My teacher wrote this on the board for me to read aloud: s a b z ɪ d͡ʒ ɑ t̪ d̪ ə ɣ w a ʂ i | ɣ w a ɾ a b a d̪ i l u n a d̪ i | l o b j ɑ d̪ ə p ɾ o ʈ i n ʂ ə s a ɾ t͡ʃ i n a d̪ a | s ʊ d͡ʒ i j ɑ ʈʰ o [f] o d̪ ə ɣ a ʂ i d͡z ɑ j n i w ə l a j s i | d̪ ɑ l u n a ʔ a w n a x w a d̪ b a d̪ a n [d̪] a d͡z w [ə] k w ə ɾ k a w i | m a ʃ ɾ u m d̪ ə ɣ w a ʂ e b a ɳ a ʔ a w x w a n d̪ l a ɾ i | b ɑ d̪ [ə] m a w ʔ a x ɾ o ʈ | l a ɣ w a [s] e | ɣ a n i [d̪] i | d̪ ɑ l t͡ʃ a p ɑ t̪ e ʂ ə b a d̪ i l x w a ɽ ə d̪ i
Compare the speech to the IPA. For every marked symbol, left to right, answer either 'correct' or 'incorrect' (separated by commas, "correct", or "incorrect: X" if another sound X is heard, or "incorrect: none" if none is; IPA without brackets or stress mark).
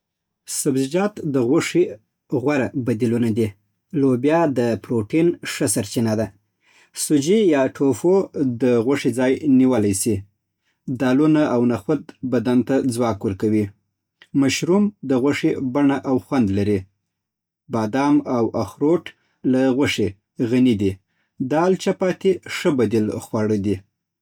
correct, incorrect: t̪, incorrect: ɑ, incorrect: ɑ, incorrect: ʂ, correct